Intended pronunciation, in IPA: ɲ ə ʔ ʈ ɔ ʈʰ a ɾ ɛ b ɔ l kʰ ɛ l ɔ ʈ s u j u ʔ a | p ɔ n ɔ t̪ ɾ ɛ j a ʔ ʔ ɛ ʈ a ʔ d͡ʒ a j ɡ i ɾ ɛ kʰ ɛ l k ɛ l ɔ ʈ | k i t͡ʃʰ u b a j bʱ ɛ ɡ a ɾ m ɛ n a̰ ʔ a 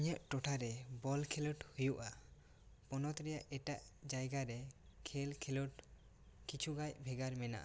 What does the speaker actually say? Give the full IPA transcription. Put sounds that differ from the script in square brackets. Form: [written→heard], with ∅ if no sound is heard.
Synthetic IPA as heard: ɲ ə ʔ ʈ ɔ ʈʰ a ɾ ɛ b ɔ l kʰ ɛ l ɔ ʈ [s→h] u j u ʔ a | p ɔ n ɔ t̪ ɾ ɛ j a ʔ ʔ ɛ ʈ a ʔ d͡ʒ a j ɡ [i→a] ɾ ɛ kʰ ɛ l [k→kʰ] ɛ l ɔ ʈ | k i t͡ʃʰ u [b→ɡ] a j bʱ ɛ ɡ a ɾ m ɛ n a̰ ʔ a